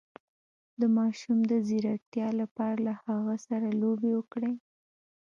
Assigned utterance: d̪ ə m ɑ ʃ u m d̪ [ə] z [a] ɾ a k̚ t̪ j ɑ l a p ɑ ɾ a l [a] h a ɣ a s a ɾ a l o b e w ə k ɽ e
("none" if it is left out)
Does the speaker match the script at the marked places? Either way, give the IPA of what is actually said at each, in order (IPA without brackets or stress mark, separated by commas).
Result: ə, i, a